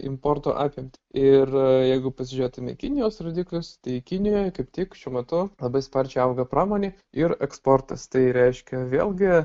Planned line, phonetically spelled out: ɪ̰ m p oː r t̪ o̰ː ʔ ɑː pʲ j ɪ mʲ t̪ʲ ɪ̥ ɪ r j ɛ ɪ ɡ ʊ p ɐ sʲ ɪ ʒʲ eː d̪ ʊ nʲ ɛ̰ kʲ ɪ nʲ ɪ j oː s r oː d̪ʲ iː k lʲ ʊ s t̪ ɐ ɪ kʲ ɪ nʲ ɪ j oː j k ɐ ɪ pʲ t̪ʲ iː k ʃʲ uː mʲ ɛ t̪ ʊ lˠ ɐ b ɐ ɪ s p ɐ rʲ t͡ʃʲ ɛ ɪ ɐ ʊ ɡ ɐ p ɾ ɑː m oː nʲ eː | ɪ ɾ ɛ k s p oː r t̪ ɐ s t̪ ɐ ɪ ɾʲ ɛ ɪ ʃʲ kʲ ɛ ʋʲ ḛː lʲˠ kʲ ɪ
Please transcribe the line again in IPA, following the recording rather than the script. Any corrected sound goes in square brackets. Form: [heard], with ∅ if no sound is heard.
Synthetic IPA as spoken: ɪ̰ m p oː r t̪ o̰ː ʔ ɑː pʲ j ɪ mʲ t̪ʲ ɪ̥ ɪ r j ɛ ɪ ɡ ʊ p ɐ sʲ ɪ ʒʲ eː [t̪] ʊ [mʲ] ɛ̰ kʲ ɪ nʲ ɪ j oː s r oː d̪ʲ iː k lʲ ʊ s t̪ ɐ ɪ kʲ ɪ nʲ ɪ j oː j k ɐ ɪ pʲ t̪ʲ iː k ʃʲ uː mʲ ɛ t̪ ʊ lˠ ɐ b ɐ ɪ s p ɐ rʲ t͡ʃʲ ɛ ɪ ɐ ʊ ɡ ɐ p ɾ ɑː m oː nʲ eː | ɪ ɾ ɛ k s p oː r t̪ ɐ s t̪ ɐ ɪ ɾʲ ɛ ɪ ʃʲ kʲ ɛ ʋʲ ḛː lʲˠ [ɡʲ] ɪ